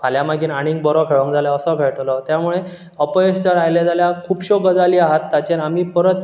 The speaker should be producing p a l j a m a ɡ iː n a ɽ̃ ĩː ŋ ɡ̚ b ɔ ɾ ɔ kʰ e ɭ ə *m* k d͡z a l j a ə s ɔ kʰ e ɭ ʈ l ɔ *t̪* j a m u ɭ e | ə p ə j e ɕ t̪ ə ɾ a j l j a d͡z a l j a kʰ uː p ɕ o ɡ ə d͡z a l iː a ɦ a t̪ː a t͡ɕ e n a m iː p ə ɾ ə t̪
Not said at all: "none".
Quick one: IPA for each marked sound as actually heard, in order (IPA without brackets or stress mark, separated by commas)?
ŋ, t̪